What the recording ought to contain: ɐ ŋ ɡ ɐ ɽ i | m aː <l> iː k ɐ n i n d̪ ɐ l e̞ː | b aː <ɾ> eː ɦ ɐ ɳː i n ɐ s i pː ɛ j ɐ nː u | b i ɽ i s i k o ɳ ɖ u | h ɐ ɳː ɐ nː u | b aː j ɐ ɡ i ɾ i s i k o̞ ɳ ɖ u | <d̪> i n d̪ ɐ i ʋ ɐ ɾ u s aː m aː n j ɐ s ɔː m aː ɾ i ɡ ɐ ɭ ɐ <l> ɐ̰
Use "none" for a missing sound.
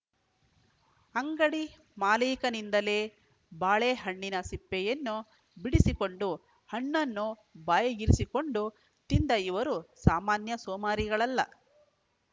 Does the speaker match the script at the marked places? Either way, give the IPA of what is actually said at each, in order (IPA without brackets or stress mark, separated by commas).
l, ɭ, t̪, lː